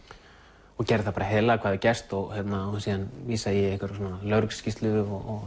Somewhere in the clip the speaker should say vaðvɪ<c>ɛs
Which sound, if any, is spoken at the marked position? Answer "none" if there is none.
c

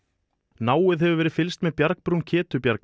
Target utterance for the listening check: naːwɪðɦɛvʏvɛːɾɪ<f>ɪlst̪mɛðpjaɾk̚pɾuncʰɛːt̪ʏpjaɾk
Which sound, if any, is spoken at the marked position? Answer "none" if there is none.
f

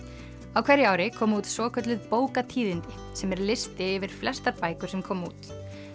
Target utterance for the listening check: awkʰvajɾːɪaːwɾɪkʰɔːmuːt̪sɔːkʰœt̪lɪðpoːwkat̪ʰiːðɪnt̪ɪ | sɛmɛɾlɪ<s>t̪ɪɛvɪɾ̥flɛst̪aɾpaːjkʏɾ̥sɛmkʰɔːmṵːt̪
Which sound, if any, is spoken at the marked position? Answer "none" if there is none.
s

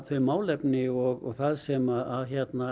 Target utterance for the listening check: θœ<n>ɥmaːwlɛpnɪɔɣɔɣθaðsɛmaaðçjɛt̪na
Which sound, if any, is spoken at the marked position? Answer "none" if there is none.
none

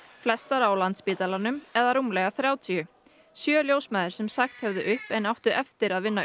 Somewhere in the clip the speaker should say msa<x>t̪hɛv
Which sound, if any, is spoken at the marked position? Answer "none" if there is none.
x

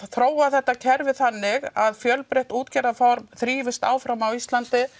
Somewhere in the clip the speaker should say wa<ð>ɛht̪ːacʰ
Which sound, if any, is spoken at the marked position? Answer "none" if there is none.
θ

